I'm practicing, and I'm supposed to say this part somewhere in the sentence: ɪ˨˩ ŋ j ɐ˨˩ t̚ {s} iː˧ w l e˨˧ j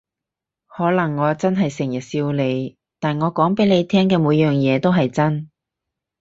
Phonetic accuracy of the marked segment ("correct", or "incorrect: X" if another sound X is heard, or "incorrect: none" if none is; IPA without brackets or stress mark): correct